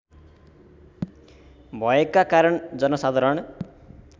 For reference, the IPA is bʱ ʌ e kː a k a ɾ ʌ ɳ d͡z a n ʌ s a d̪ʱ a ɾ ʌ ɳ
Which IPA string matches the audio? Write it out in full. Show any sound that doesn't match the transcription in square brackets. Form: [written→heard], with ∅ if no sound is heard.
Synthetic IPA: bʱ ʌ e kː a k a ɾ ʌ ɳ d͡z [a→ʌ] n ʌ s a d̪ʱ a ɾ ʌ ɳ